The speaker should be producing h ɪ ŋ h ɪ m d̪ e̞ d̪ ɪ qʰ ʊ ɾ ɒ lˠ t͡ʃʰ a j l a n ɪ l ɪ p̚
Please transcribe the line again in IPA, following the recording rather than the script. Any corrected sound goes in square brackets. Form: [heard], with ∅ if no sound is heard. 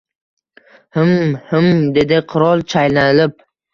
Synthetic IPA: h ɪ [m] h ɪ m d̪ e̞ d̪ ɪ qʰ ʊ ɾ ɒ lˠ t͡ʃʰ a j l a n ɪ l ɪ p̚